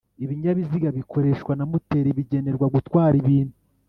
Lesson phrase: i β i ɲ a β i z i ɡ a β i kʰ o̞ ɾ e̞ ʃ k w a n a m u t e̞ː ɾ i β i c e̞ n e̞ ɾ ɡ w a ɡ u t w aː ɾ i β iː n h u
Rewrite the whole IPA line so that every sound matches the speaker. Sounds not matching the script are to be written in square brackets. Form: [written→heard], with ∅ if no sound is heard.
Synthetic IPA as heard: i β i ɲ a β i z i ɡ a β i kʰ o̞ ɾ e̞ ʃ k w a n a m u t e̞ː ɾ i β i [c→ɟ] e̞ n e̞ ɾ ɡ w a ɡ u t w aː ɾ i β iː n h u

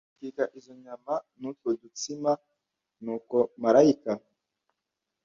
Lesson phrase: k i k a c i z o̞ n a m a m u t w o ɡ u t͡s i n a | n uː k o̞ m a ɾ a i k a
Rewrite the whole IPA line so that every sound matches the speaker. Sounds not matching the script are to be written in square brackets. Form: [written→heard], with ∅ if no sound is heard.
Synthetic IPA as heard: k i k a [c→ʔ] i z o̞ [n→ɲ] a m a [m→n] u t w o [ɡ→d] u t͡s i [n→m] a | n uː k o̞ m a ɾ a i k a

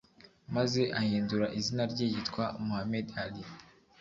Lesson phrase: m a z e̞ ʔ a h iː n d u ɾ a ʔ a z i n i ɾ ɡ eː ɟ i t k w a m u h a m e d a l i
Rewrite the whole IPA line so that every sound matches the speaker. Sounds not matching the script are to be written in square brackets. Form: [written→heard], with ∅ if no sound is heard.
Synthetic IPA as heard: m a z e̞ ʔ a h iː n d u ɾ a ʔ [a→i] z i n [i→a] ɾ [ɡ→ɟ] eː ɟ i t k w a m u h a m e d a l i

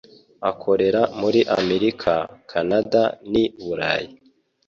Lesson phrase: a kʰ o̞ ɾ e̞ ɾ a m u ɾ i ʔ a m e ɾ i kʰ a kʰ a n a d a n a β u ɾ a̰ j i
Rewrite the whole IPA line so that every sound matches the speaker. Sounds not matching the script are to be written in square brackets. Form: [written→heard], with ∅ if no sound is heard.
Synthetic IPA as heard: a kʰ o̞ ɾ e̞ ɾ a m u ɾ i ʔ a m e ɾ i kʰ a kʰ a n a d a n [a→i] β u ɾ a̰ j i

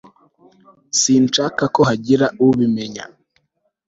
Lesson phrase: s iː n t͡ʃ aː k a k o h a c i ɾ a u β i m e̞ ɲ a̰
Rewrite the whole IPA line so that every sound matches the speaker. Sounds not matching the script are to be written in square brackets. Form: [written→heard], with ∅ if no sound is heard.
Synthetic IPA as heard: s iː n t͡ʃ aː k a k o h a [c→ɟ] i ɾ a u β i m e̞ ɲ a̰

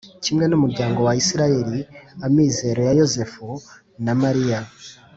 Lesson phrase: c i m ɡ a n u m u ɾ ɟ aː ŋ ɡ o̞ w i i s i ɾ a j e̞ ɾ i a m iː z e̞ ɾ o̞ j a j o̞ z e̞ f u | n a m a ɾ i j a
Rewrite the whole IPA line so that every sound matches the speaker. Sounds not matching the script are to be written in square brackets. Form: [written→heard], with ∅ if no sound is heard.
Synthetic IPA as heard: c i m ɡ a n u m u ɾ ɟ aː ŋ ɡ o̞ w [i→a] i s i ɾ a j e̞ ɾ i a m iː z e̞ ɾ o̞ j a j o̞ z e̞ f u | n a m a ɾ i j a

